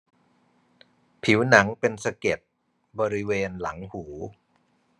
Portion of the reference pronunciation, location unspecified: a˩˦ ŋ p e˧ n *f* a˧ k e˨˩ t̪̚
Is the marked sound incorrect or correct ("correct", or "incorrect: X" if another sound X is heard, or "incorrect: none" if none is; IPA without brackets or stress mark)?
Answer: incorrect: s